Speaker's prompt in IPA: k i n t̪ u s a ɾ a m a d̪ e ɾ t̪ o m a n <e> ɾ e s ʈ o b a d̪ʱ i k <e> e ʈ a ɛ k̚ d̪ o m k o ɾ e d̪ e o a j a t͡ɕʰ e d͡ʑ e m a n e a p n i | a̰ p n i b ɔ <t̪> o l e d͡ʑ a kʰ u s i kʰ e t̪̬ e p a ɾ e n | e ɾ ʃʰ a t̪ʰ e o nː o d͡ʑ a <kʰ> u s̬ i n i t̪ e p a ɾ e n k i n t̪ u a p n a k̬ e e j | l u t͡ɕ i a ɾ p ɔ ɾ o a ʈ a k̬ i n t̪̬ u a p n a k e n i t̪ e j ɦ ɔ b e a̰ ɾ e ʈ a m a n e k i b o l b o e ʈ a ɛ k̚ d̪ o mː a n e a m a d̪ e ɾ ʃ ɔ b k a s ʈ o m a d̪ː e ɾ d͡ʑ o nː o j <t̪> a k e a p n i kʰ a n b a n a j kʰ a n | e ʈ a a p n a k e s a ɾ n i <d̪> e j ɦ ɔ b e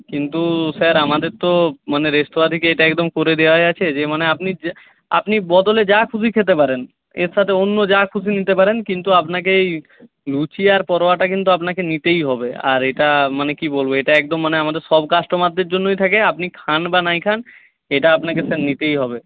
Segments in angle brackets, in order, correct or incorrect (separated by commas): correct, correct, incorrect, correct, incorrect, incorrect